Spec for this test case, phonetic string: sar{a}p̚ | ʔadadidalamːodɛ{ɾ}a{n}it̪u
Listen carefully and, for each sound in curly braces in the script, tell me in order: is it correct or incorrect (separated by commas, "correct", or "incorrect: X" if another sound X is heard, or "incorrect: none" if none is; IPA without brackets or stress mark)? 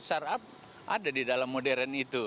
correct, correct, correct